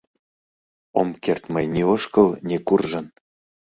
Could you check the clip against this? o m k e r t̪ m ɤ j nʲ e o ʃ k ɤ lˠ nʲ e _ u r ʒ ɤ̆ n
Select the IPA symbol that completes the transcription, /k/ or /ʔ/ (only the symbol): k